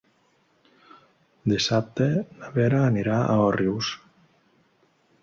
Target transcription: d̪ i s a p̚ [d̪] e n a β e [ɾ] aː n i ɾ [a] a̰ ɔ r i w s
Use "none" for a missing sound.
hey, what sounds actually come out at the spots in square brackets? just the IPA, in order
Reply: t̪, ɾ, a

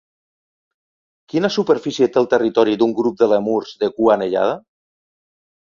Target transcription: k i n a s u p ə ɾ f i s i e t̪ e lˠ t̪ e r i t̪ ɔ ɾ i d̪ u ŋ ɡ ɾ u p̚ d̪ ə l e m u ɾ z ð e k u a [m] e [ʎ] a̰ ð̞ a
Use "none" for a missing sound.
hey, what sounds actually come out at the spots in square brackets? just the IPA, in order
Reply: n, ʎ

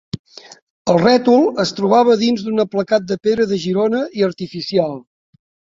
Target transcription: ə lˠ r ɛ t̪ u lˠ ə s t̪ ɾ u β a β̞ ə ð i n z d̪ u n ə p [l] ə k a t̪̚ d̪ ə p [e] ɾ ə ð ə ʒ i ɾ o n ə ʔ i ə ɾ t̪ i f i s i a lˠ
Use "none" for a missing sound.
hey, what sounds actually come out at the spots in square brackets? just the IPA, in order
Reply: l, e

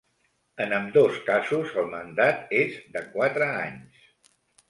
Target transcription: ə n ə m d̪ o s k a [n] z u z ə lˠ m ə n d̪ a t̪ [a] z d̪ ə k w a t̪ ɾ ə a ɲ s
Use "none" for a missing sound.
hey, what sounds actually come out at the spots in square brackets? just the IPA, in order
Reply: none, e

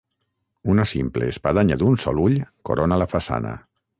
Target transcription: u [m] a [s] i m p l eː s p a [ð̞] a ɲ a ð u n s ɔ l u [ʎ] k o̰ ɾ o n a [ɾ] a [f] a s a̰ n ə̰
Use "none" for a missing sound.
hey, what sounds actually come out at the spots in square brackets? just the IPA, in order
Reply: n, s, ð̞, ʎ, l, f

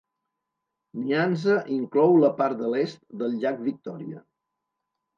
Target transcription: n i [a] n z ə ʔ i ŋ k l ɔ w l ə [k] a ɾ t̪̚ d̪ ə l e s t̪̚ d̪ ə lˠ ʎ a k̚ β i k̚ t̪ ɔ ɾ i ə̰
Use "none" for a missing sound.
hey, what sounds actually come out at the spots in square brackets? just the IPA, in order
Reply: a, p

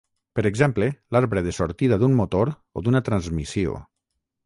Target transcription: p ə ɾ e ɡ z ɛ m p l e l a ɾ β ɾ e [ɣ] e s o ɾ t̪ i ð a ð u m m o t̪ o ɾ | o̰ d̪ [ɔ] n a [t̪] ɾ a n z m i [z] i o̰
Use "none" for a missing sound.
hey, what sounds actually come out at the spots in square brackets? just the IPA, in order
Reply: ð, u, t̪, s

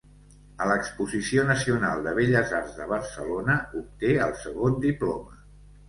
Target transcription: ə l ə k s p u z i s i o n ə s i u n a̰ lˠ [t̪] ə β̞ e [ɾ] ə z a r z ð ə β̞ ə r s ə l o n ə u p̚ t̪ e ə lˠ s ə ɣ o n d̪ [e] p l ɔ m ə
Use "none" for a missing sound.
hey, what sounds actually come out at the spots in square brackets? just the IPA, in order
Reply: d̪, ʎ, i

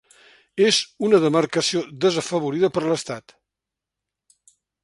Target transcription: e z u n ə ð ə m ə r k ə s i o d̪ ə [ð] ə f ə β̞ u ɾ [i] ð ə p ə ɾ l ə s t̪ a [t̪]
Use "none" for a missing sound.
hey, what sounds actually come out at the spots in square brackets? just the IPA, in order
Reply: z, i, t̪

